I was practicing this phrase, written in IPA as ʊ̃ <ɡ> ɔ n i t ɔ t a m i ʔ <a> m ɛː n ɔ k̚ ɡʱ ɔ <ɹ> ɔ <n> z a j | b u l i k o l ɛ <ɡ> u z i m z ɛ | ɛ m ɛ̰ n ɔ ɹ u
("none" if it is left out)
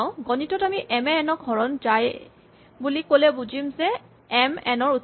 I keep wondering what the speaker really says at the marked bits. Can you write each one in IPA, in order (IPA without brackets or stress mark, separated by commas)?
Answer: ɡ, ɛ, ɹ, n, b